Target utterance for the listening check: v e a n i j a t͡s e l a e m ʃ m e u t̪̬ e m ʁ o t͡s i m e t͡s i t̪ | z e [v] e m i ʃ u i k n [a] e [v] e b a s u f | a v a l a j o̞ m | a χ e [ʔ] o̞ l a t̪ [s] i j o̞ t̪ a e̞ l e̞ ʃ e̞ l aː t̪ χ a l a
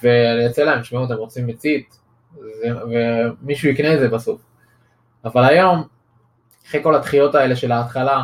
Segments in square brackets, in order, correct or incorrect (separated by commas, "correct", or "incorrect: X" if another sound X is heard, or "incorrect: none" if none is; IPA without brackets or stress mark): correct, incorrect: e, incorrect: z, incorrect: k, incorrect: χ